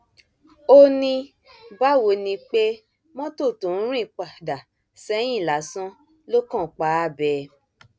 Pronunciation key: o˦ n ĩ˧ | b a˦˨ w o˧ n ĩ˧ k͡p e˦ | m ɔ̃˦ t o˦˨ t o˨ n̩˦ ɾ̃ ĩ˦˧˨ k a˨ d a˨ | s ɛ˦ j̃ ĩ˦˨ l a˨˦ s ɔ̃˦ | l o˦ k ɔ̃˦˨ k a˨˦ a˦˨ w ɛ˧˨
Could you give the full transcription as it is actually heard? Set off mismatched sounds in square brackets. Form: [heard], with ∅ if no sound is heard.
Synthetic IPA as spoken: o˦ n ĩ˧ | b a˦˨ w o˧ n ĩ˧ k͡p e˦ | m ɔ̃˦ t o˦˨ t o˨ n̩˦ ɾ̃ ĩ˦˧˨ [k͡p] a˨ d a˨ | s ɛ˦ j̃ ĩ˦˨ l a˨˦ s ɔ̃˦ | l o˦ k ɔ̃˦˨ [k͡p] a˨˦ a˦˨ [b] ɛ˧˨